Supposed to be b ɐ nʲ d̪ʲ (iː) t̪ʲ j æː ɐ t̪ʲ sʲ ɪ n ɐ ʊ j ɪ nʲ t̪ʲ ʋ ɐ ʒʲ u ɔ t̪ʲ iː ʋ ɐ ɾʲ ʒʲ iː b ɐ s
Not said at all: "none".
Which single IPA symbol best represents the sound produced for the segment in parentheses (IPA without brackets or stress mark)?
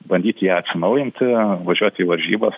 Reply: iː